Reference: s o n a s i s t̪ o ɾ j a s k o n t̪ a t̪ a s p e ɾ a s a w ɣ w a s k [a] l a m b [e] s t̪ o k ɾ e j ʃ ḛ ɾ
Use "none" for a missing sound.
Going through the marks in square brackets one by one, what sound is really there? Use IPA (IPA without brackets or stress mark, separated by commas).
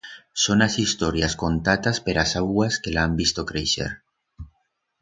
e, i